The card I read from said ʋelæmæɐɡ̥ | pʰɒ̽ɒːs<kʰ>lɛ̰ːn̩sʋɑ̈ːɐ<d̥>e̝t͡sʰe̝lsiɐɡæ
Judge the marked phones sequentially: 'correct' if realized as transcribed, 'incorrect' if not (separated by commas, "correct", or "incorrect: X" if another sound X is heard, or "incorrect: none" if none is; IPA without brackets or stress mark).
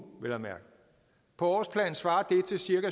incorrect: pʰ, correct